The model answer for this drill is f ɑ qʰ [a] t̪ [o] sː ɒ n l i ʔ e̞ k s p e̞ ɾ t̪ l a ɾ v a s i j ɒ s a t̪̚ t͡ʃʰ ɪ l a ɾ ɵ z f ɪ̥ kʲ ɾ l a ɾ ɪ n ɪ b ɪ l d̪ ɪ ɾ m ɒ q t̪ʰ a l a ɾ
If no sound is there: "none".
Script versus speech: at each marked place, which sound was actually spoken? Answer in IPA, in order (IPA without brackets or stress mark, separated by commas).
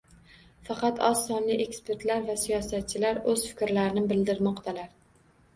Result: ɑ, ɒ